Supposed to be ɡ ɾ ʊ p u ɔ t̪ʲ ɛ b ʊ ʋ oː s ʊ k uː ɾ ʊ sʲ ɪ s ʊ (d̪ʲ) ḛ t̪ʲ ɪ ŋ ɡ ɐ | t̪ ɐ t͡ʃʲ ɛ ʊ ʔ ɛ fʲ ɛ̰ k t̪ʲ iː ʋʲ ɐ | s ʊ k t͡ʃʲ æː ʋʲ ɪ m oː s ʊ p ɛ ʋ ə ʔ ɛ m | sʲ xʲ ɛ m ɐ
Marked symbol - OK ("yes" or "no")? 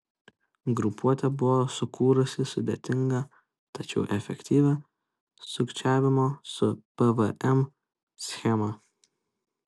yes